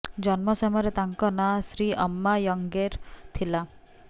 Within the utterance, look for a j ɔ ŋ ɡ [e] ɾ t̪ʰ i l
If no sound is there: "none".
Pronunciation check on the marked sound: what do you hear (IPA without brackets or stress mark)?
e